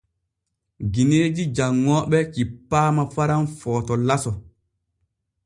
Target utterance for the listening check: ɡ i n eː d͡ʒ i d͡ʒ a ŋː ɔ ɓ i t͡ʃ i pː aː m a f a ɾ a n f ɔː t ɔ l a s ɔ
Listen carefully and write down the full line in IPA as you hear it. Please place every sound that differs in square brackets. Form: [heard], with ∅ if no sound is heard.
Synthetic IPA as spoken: ɡ i n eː d͡ʒ i d͡ʒ a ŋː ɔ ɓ [ɛ] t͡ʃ i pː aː m a f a ɾ a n f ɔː t ɔ l a s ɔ